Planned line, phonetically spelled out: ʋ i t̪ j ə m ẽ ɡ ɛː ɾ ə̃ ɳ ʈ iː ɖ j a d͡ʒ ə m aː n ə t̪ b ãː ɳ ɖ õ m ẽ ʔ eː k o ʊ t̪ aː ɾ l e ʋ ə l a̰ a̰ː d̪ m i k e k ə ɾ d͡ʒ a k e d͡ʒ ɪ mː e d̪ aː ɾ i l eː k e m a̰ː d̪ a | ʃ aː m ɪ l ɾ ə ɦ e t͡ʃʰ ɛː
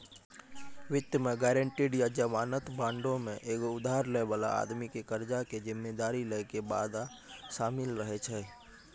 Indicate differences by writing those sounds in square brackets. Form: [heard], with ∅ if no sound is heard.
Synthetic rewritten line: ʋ [ɪ] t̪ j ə m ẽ ɡ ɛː ɾ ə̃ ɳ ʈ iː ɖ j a d͡ʒ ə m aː n ə t̪ b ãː ɳ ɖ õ m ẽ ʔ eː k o ʊ [d̪] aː ɾ l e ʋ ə l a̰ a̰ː d̪ m i k e k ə ɾ d͡ʒ a k e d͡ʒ ɪ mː e d̪ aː ɾ i l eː k e [b] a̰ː d̪ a | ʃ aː m ɪ l ɾ ə ɦ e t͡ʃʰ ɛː